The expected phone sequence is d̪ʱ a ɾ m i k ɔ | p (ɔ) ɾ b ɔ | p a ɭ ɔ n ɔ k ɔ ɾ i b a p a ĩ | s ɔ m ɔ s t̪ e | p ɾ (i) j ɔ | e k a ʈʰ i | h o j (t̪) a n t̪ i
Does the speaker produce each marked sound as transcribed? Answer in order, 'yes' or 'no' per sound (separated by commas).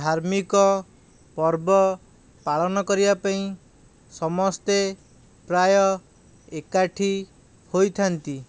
yes, no, no